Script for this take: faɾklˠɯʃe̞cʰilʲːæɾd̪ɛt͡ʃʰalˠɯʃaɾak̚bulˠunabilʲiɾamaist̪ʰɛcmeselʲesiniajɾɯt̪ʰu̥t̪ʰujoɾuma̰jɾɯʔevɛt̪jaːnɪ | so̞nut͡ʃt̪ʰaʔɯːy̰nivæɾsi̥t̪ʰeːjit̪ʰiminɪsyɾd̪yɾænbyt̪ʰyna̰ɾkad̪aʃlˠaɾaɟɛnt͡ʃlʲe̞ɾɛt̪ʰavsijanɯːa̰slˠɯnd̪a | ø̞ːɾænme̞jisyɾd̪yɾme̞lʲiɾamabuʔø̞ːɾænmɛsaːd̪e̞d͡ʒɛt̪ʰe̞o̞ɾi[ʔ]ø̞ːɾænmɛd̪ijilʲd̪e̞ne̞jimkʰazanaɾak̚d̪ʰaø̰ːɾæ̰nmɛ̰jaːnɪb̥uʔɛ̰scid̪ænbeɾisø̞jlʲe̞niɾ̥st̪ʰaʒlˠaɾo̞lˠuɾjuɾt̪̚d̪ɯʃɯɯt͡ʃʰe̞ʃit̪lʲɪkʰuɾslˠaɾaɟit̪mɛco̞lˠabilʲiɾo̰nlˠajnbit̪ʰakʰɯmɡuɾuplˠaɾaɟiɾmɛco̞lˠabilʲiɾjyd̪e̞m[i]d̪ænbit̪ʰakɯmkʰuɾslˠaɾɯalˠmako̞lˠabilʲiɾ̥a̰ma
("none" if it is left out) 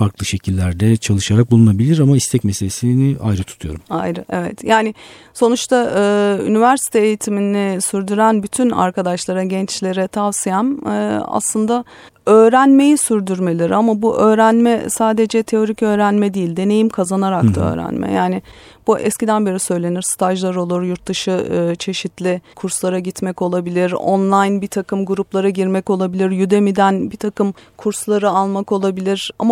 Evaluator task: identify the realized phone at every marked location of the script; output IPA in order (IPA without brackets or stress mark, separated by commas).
c, i